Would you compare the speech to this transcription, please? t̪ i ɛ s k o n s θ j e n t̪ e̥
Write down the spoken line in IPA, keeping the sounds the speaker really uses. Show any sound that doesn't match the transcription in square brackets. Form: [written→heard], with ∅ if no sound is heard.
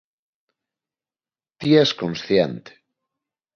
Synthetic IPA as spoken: t̪ i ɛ s k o n s θ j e n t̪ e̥